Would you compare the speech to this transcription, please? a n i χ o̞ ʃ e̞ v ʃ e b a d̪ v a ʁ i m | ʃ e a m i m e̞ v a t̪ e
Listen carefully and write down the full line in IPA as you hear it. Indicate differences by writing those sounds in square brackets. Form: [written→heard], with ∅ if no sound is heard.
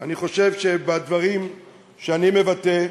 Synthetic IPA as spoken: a n i χ o̞ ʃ e̞ v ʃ e b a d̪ v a ʁ i m | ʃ e a [m→n] i m e̞ v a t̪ e